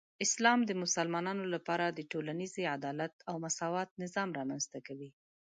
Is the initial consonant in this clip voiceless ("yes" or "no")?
yes